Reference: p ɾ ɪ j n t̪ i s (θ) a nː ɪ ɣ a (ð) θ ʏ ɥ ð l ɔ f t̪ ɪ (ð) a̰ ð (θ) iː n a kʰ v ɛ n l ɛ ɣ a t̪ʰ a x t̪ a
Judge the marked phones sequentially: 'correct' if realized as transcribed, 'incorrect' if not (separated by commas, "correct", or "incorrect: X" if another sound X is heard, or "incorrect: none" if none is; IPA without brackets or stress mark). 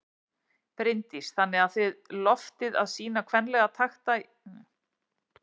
correct, correct, correct, incorrect: s